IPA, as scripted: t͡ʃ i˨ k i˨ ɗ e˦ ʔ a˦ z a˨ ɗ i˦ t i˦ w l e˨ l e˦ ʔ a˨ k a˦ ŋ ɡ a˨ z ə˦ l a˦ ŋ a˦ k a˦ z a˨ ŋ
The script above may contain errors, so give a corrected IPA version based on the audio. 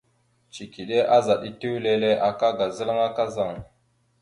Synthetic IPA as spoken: t͡ʃ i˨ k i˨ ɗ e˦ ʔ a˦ z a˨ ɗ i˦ t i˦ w l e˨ l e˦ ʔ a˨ k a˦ ɡ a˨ z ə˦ l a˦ ŋ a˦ k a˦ z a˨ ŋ